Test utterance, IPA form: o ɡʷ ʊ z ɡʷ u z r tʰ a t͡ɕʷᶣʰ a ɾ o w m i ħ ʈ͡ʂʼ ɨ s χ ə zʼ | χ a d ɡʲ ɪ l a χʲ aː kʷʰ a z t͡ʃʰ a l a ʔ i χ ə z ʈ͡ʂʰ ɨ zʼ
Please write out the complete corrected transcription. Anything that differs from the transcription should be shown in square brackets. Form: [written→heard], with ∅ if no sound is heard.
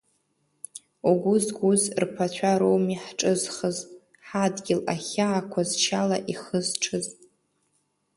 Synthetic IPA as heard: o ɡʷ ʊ z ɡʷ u z r [tʰ→pʰ] a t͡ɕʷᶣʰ a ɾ o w m i ħ ʈ͡ʂʼ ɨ [s→z] χ ə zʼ | [χ→ħ] a d ɡʲ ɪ l a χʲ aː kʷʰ a z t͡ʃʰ a l a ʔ i χ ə z ʈ͡ʂʰ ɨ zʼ